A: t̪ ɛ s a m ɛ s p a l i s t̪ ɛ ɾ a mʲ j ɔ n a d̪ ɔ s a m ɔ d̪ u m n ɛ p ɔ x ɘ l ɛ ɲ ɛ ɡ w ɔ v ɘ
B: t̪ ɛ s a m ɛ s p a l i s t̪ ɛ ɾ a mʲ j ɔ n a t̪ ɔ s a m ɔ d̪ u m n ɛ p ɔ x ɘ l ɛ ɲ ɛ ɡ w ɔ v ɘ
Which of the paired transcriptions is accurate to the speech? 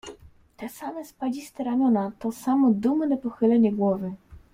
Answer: B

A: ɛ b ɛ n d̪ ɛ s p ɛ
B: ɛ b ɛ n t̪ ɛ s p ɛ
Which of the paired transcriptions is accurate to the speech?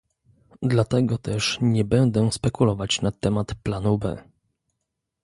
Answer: A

